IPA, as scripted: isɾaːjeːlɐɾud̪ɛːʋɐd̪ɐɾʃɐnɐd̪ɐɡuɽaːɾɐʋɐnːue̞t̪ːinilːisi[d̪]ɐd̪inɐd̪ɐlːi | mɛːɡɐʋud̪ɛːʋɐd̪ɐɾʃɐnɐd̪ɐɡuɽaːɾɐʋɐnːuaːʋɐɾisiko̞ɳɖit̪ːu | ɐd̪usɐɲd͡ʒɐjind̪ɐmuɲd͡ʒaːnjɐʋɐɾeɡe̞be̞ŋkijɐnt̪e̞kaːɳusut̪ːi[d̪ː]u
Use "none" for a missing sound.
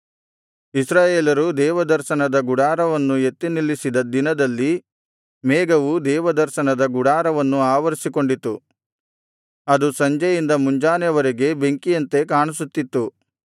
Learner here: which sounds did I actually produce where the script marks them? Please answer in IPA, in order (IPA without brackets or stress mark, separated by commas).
d̪, t̪ː